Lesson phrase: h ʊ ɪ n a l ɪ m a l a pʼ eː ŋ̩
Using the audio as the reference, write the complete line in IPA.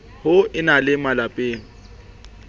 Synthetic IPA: h ʊ ɪ n a l ɪ m a l a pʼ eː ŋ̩